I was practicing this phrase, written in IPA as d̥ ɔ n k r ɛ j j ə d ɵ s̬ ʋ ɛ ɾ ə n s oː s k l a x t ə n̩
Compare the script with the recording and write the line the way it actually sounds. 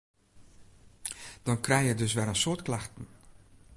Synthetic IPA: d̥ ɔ n k r ɛ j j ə d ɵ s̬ ʋ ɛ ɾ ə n s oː t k l a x t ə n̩